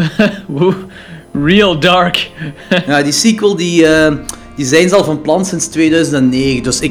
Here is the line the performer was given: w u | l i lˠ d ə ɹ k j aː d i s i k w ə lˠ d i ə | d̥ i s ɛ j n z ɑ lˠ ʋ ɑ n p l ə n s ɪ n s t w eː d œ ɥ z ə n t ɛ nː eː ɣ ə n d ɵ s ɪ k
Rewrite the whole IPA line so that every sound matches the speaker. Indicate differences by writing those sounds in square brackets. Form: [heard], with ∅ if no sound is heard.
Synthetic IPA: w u | [ɹ] i lˠ d [ɑ] ɹ k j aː d i s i k w ə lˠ d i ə | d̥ i [z] ɛ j n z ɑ lˠ [v] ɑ n p l [ɑ] n s ɪ n s t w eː d œ ɥ z ə n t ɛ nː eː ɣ ə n d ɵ s ɪ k